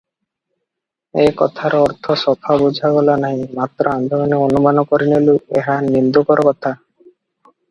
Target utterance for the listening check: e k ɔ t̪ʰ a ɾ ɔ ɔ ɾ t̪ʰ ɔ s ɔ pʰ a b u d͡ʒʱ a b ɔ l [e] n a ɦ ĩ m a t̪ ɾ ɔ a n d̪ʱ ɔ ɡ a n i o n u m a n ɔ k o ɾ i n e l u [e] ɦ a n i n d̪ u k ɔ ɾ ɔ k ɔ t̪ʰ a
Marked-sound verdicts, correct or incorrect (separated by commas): incorrect, correct